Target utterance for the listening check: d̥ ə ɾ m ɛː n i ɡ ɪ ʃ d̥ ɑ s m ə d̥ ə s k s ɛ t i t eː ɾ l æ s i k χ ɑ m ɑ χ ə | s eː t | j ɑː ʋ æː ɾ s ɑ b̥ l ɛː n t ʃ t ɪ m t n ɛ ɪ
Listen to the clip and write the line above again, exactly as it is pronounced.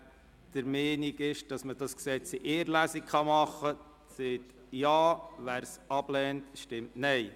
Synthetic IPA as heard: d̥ ə ɾ m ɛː n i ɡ ɪ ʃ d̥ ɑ s m ə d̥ ɑ s k s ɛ t͡s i ʔ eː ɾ l æ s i k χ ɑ m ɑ χ ə | s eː t | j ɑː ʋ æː ɾ s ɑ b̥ l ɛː n t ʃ t ɪ m t n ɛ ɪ